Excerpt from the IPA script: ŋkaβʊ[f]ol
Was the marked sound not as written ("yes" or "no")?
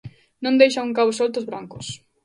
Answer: yes